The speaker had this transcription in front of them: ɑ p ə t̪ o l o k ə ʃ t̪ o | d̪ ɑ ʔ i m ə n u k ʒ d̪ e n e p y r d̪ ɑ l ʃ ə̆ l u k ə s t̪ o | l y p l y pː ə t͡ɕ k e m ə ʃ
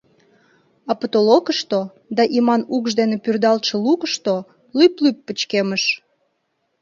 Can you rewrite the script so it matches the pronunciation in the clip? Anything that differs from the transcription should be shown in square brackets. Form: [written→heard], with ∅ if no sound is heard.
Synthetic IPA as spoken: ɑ p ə t̪ o l o k ə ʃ t̪ o | d̪ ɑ ʔ i m [ə→ɑ] n u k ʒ d̪ e n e p y r d̪ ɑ l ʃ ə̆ l u k ə [s→ʃ] t̪ o | l y p l y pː ə t͡ɕ k e m ə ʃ